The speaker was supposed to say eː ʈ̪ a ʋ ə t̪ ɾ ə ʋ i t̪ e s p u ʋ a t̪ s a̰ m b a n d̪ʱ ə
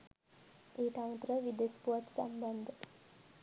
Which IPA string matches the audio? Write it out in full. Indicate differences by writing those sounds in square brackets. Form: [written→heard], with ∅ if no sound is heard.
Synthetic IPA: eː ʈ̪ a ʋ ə t̪ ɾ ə ʋ i [t̪→d̪] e s p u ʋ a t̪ s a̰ m b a n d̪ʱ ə